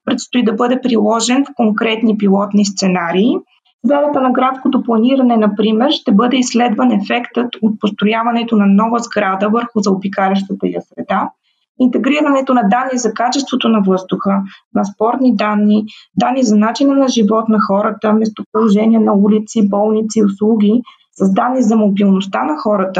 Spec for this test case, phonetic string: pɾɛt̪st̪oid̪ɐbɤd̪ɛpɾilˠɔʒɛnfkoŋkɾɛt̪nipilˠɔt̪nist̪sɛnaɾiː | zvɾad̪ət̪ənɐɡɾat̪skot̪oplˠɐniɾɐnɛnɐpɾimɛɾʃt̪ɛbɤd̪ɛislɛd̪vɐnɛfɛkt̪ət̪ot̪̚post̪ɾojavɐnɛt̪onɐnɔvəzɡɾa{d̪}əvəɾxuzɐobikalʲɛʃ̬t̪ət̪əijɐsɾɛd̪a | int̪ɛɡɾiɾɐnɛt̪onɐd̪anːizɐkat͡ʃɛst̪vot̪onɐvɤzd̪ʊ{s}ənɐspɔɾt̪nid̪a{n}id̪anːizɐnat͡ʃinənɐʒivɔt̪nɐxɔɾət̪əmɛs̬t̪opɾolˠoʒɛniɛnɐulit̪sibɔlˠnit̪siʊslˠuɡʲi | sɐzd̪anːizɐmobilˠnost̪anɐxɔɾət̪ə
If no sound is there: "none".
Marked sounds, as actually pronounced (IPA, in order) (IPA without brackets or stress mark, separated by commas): d̪, x, nː